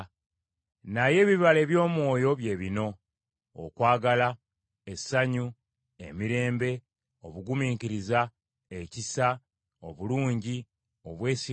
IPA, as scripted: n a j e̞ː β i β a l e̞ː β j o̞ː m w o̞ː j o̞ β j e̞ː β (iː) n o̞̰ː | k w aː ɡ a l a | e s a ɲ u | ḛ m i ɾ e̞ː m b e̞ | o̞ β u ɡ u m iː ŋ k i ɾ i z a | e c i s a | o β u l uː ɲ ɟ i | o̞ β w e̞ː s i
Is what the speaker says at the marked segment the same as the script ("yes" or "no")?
no